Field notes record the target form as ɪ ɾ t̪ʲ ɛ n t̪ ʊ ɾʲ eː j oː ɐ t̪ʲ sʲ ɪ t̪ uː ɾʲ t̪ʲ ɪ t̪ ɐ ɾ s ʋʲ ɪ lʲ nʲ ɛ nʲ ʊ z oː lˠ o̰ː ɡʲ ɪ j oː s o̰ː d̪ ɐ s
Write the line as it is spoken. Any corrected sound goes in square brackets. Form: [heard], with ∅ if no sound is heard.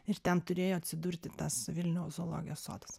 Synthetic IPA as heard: ɪ ɾ t̪ʲ ɛ n t̪ ʊ ɾʲ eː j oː ɐ t̪ʲ sʲ ɪ [d̪] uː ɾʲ t̪ʲ ɪ t̪ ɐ [∅] s ʋʲ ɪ lʲ nʲ ɛ [∅] ʊ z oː lˠ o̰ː ɡʲ ɪ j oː s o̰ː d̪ ɐ s